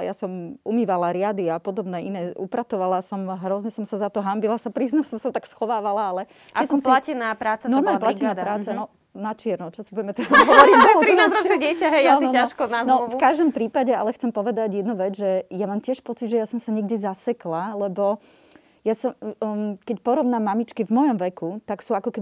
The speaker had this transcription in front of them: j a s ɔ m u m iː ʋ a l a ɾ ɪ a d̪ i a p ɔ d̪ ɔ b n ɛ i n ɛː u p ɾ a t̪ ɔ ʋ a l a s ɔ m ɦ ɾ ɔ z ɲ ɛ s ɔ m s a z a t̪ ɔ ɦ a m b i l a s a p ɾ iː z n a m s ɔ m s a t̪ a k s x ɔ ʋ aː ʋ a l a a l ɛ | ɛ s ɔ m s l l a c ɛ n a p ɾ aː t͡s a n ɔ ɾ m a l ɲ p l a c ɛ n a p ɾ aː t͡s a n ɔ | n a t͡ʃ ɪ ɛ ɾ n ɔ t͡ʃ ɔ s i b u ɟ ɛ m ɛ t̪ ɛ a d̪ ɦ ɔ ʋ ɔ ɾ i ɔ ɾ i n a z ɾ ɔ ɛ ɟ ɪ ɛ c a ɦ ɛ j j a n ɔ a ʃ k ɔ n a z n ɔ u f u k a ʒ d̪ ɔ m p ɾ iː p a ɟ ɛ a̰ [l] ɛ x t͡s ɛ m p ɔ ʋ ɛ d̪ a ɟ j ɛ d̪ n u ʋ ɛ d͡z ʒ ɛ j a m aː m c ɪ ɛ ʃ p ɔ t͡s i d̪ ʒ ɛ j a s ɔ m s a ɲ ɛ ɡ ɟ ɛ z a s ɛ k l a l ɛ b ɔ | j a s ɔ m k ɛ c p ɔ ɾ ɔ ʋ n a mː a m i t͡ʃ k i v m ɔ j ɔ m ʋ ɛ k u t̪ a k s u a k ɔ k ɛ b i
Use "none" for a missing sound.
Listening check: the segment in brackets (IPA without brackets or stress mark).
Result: l